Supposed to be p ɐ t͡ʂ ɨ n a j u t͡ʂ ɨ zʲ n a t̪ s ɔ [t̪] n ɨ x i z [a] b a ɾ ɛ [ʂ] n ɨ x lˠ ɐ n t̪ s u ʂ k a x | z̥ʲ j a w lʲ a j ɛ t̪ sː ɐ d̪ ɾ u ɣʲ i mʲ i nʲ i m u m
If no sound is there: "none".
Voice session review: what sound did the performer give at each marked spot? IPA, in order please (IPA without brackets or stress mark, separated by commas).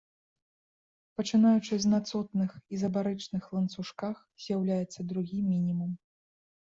t̪, ɐ, t͡ʂ